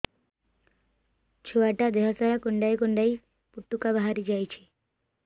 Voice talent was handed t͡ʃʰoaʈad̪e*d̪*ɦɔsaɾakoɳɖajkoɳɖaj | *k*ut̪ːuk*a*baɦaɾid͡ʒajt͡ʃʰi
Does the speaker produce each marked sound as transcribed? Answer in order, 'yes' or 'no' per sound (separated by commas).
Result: no, no, yes